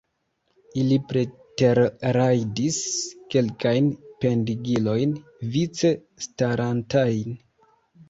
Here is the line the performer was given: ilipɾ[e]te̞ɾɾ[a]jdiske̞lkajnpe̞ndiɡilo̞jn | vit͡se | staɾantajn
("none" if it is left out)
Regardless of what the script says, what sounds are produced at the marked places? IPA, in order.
e, a

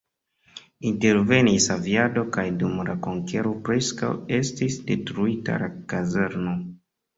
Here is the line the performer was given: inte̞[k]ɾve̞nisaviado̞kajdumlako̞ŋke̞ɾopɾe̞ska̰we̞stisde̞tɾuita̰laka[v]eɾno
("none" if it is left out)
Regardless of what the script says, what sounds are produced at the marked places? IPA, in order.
none, z

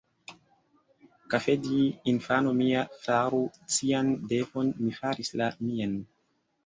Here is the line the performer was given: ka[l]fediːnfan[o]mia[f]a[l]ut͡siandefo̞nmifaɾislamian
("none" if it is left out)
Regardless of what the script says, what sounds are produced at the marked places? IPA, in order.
none, o, f, ɾ

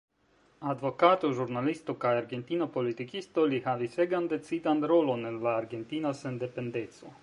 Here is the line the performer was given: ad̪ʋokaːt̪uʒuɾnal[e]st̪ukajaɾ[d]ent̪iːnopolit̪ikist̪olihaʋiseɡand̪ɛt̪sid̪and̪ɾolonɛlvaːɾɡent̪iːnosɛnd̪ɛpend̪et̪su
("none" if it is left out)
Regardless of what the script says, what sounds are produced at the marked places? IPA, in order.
i, ɡ

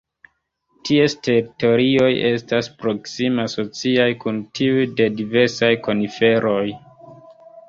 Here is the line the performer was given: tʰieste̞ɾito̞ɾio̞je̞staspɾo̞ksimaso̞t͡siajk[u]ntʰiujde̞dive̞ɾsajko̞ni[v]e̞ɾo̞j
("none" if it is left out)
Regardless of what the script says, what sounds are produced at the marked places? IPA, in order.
u, f

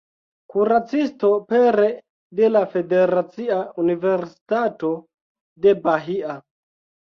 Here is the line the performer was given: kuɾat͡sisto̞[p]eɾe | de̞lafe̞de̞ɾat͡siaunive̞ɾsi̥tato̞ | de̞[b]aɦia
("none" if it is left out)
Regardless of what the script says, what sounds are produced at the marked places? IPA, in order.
p, b

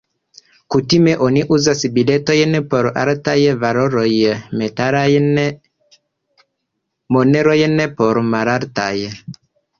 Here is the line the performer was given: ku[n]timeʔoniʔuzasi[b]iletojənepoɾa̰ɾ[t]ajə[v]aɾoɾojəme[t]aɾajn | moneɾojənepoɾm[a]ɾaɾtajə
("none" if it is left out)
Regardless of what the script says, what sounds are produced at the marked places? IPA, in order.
none, b, t, v, t, a

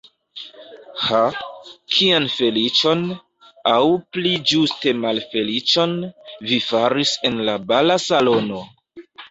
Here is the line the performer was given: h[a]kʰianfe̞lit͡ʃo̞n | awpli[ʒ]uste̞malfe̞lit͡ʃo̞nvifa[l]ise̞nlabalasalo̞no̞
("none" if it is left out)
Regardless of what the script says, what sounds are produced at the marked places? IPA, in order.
a, d͡ʒ, ɾ

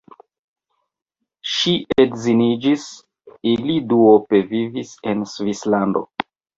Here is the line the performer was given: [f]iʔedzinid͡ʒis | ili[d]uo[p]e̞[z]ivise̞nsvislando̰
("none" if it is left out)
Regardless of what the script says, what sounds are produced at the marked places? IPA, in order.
ʃ, d, p, v

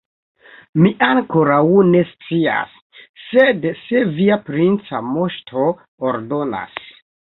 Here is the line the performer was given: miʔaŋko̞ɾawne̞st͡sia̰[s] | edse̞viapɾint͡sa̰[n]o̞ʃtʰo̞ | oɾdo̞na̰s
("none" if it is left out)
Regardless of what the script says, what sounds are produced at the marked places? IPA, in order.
sː, m

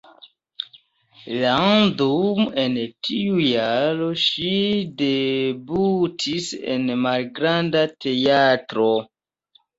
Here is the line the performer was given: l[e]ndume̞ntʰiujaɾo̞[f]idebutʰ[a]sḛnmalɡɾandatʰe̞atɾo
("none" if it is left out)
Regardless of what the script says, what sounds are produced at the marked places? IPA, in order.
a, ʃ, i

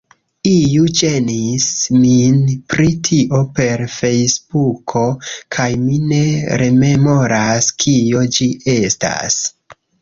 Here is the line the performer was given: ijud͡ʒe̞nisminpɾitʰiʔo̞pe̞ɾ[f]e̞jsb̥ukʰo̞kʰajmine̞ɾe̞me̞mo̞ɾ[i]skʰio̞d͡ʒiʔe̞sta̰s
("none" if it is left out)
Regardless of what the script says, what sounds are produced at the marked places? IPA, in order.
f, a

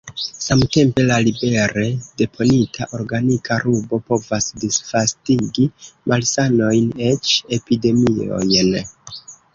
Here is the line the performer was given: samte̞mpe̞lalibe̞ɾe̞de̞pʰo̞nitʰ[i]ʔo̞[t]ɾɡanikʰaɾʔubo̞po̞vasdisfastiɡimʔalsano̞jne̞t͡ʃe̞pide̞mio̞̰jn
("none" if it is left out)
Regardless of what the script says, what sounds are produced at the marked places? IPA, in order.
a, none

